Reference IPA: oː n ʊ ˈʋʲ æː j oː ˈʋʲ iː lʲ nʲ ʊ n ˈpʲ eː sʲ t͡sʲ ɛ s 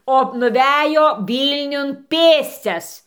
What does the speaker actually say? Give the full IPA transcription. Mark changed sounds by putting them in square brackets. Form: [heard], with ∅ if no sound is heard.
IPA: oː n ʊ ˈʋʲ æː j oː ˈʋʲ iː lʲ nʲ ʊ n ˈpʲ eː sʲ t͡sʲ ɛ s